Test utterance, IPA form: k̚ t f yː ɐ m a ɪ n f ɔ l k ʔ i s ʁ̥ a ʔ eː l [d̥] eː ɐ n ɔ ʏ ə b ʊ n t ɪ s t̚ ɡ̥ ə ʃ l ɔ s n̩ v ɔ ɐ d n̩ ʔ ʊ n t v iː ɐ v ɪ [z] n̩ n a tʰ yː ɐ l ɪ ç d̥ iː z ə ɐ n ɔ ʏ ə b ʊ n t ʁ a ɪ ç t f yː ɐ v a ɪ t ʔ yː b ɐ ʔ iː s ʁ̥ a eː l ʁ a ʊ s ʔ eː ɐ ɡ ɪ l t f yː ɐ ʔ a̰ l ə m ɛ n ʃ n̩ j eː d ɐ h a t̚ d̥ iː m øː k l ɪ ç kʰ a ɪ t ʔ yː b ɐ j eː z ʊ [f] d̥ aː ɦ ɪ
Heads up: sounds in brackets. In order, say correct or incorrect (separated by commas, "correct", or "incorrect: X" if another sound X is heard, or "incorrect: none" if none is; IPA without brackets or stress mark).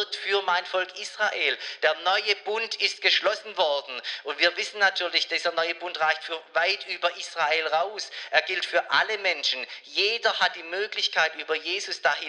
correct, incorrect: s, incorrect: s